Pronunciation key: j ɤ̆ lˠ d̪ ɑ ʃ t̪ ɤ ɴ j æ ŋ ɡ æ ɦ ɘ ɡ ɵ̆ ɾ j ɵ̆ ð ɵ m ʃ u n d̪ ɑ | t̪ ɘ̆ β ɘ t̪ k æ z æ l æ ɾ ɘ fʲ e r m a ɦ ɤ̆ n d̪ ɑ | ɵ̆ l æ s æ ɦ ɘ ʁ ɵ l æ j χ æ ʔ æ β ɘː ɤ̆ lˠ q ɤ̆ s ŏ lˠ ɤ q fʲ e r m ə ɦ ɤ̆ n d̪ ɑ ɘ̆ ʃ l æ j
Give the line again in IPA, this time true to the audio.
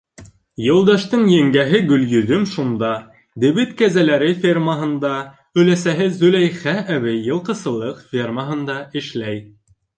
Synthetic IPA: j ɤ̆ lˠ d̪ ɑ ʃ t̪ ɤ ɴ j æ ŋ ɡ æ ɦ ɘ ɡ ɵ̆ l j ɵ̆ ð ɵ m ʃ u n d̪ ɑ | d̪ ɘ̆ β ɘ t̪ k æ z æ l æ ɾ ɘ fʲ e r m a ɦ ɤ̆ n d̪ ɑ | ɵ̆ l æ s æ ɦ ɘ z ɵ l æ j χ æ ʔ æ β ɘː ɤ̆ lˠ q ɤ̆ s ɤ̆ lˠ ɤ q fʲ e r m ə ɦ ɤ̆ n d̪ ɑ ɘ̆ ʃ l æ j